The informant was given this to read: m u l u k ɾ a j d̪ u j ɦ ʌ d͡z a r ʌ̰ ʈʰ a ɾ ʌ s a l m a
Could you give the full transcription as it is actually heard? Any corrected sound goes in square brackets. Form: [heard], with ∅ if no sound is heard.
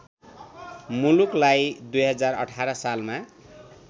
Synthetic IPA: m u l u k [l] a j d̪ u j ɦ ʌ d͡z a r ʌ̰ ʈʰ a ɾ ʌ s a l m a